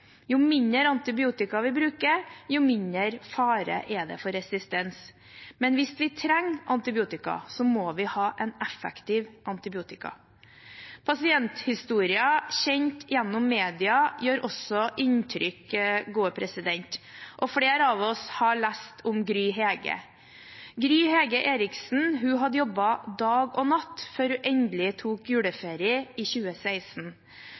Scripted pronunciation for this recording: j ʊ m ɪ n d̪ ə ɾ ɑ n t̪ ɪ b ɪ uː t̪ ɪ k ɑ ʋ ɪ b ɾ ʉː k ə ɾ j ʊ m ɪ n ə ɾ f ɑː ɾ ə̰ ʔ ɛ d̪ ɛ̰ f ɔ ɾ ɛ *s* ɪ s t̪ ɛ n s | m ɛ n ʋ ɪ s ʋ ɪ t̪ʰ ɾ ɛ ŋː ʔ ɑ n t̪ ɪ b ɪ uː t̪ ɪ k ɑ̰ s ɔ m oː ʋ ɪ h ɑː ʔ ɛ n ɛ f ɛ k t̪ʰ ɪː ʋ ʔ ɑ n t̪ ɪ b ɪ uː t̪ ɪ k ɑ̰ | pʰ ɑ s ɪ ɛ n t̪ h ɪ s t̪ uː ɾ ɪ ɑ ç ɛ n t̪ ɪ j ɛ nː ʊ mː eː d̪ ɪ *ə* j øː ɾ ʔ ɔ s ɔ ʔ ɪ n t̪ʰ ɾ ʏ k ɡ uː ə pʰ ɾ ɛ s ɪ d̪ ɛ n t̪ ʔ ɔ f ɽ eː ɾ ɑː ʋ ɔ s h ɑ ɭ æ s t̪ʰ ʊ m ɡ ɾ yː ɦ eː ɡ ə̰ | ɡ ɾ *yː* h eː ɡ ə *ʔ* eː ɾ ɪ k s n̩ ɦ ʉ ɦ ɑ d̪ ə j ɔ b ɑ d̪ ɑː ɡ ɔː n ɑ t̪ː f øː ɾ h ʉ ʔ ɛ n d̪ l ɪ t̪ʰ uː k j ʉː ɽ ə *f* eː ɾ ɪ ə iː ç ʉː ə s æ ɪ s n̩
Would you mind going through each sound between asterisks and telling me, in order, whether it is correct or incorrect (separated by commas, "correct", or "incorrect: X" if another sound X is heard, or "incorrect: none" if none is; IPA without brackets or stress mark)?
correct, incorrect: ɑ, correct, correct, correct